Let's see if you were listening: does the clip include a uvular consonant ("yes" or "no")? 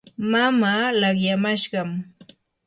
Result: yes